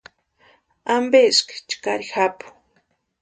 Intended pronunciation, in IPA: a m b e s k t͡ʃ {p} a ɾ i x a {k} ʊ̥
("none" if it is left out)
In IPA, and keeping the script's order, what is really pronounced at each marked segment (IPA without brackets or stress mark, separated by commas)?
k, p